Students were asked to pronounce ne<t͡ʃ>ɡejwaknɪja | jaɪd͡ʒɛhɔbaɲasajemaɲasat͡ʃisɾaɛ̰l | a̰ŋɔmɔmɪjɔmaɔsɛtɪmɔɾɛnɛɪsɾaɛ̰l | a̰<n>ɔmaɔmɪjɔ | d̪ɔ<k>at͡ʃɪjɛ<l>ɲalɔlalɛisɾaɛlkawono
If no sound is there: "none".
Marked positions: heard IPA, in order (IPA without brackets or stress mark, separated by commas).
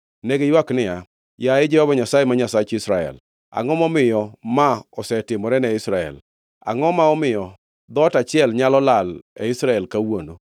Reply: none, ŋ, t, l